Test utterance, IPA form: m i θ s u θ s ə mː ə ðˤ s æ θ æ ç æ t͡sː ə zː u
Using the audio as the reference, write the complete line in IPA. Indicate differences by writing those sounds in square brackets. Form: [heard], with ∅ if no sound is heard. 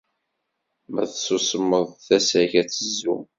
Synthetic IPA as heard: m [æ] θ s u [∅] s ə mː ə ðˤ [θ] æ [s] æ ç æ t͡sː ə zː u